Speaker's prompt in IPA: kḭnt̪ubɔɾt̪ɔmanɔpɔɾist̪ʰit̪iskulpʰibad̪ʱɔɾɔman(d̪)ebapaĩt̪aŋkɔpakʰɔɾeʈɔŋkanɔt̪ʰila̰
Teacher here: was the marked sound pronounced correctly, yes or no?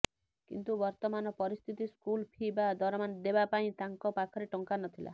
yes